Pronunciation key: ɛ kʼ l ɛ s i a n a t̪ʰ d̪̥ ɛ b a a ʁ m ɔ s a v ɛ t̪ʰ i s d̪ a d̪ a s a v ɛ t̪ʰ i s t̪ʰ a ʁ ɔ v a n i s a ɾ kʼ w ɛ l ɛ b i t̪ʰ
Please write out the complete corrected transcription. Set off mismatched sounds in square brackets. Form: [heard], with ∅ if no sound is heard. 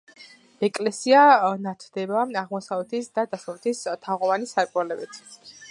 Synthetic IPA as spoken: ɛ kʼ l ɛ s i a n a t̪ʰ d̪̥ ɛ b a a ʁ m ɔ s a v ɛ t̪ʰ i s d̪ a d̪ a s a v ɛ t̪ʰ i s t̪ʰ a ʁ ɔ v a n i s a ɾ kʼ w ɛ l ɛ b i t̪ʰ